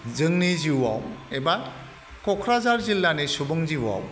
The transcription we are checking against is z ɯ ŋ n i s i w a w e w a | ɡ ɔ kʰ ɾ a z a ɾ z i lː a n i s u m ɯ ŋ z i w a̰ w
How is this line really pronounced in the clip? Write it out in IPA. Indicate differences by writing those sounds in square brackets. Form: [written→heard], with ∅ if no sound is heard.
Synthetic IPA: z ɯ ŋ n i [s→z] i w a w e [w→b] a | [ɡ→k] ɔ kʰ ɾ a z a ɾ z i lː a n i s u [m→b] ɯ ŋ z i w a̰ w

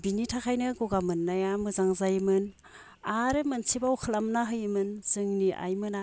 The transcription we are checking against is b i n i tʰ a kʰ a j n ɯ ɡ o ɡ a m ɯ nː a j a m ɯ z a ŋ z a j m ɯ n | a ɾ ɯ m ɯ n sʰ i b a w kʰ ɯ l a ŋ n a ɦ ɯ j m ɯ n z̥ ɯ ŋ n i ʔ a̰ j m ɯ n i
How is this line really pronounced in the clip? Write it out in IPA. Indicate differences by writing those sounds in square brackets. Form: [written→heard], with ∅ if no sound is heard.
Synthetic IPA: b i n i tʰ a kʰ a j n ɯ ɡ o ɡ a m ɯ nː a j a m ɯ z a ŋ z a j m ɯ n | a ɾ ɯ m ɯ n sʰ i b a w kʰ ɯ l a [ŋ→m] n a ɦ ɯ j m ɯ n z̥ ɯ ŋ n i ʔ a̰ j m ɯ n [i→a]

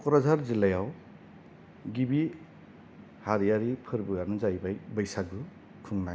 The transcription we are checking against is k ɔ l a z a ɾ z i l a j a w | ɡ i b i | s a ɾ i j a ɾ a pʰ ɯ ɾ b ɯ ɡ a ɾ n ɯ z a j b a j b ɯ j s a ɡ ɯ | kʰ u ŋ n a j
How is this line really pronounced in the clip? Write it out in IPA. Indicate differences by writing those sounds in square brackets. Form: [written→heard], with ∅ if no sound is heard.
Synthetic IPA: k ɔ [l→ɾ] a z a ɾ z i l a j a w | ɡ i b i | [s→h] a ɾ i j a ɾ [a→i] pʰ ɯ ɾ b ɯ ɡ a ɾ n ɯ z a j b a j b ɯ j s a ɡ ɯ | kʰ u ŋ n a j

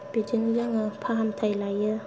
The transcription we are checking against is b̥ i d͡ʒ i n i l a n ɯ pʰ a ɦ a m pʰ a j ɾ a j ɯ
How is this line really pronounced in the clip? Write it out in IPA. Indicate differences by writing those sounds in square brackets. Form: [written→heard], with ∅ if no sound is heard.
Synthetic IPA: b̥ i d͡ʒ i n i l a [n→ŋ] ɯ pʰ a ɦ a m [pʰ→tʰ] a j [ɾ→l] a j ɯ

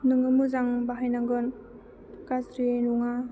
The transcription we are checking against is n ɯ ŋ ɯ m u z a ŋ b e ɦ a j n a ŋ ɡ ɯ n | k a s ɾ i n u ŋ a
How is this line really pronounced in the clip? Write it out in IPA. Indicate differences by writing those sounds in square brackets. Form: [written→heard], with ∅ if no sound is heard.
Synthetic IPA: n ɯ ŋ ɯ m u z a ŋ b [e→a] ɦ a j n a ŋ ɡ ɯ n | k a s ɾ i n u ŋ a

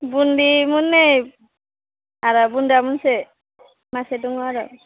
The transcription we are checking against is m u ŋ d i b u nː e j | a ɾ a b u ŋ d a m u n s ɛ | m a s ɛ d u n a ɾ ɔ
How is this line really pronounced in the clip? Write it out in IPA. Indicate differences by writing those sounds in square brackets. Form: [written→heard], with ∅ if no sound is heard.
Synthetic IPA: [m→b] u [ŋ→n] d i [b→m] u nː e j | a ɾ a b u [ŋ→n] d a m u n s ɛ | m a s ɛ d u [n→ŋ] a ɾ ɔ

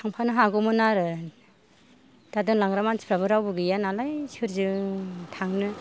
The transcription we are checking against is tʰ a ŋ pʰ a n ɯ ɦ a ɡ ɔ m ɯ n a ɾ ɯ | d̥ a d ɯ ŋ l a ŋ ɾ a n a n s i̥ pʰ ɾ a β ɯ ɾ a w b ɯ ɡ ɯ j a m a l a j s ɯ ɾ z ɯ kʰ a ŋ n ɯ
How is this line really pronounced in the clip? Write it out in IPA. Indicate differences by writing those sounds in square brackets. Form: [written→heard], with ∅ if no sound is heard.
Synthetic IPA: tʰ a ŋ pʰ a n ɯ ɦ a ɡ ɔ m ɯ n a ɾ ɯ | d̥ a d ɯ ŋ l a ŋ ɾ a [n→m] a n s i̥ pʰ ɾ a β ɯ ɾ a w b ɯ ɡ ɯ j a [m→n] a l a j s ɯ ɾ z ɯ [kʰ→tʰ] a ŋ n ɯ

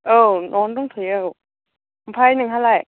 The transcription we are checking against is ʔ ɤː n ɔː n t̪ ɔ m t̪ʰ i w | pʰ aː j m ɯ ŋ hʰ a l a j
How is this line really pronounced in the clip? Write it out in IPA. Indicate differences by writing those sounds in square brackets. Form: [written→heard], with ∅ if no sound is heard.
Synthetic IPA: ʔ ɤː n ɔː n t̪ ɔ [m→ŋ] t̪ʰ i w | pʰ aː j [m→n] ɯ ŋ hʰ a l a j

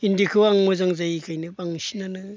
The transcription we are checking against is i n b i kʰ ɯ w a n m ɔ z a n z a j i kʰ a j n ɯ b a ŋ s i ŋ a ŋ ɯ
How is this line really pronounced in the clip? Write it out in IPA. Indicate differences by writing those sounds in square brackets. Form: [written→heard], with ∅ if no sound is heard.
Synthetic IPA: i n [b→d] i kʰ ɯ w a [n→ŋ] m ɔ z a [n→ŋ] z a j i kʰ a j n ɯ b a ŋ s i [ŋ→n] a [ŋ→n] ɯ

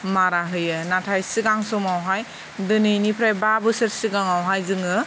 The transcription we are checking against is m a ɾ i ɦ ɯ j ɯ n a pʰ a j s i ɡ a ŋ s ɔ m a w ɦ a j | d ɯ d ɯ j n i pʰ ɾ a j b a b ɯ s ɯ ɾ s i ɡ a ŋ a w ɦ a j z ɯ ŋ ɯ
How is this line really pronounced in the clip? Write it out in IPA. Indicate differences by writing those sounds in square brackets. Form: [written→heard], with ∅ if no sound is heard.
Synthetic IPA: m a ɾ [i→a] ɦ ɯ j ɯ n a [pʰ→tʰ] a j s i ɡ a ŋ s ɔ m a w ɦ a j | d ɯ [d→n] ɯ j n i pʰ ɾ a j b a b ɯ s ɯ ɾ s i ɡ a ŋ a w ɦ a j z ɯ ŋ ɯ

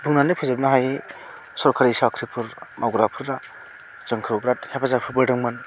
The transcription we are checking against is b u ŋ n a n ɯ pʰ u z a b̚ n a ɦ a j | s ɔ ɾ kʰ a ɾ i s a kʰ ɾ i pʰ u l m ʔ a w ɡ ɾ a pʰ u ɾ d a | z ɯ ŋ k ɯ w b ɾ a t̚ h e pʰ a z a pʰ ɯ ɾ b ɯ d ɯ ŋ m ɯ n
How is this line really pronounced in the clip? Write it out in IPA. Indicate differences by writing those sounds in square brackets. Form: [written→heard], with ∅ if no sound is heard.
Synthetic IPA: b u ŋ n a n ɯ pʰ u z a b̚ n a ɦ a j | s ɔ ɾ kʰ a ɾ i s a kʰ ɾ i pʰ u [l→ɾ] m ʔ a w ɡ ɾ a pʰ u ɾ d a | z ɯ ŋ [k→kʰ] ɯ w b ɾ a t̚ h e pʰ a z a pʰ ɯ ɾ b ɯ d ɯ ŋ m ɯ n

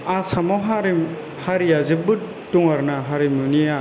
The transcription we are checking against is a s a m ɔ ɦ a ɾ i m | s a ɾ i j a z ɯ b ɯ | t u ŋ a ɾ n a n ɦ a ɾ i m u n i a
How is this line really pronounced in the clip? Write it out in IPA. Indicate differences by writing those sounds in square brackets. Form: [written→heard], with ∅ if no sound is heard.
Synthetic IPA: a s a m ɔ ɦ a ɾ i m | [s→h] a ɾ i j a z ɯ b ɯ | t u ŋ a ɾ n a [n→∅] ɦ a ɾ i m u n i a

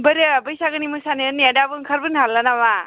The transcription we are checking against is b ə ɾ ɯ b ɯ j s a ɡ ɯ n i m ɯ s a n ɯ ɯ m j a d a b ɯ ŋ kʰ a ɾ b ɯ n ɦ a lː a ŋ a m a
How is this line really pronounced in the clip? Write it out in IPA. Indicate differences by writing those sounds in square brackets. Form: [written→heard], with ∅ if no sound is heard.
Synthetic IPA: b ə ɾ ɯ b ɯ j s a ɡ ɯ n i m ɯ s a n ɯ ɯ [m→n] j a d a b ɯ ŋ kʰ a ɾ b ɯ n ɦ a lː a [ŋ→n] a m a

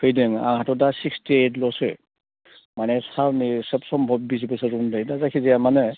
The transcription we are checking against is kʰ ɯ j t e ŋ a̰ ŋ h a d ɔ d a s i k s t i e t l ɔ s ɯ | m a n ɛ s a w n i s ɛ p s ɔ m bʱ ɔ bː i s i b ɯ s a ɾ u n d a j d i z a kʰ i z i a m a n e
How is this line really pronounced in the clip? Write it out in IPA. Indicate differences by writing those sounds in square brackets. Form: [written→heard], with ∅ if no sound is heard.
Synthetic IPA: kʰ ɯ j [t→d] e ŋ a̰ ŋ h a [d→t] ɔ d a s i k s t i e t l ɔ s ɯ | m a n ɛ s a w n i s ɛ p s ɔ m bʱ ɔ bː i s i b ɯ s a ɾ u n d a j d [i→a] z a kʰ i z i a m a n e

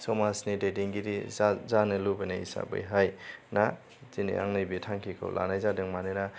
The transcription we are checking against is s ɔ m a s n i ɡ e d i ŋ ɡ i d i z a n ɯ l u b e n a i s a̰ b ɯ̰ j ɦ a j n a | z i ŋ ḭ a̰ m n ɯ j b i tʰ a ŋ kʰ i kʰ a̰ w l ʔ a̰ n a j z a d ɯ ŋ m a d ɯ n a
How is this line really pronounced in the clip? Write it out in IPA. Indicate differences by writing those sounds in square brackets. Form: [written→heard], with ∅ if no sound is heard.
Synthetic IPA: s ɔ m a s n i [ɡ→d] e d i ŋ ɡ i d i z a n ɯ l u b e n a i s a̰ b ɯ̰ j ɦ a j n a | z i [ŋ→n] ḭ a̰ [m→ŋ] n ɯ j b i tʰ a ŋ kʰ i kʰ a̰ w l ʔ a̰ n a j z a d ɯ ŋ m a [d→n] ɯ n a

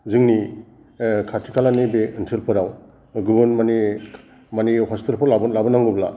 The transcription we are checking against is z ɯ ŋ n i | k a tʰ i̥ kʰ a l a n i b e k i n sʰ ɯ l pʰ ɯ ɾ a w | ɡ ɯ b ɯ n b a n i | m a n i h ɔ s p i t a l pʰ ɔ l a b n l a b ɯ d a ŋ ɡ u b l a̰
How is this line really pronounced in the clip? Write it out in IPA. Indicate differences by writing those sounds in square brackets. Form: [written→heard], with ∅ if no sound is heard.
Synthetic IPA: z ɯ ŋ n i | [k→kʰ] a tʰ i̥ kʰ a l a n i b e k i n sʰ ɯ l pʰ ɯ ɾ a w | ɡ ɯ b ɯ n [b→m] a n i | m a n i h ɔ s p i t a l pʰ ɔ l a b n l a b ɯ [d→n] a ŋ ɡ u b l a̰

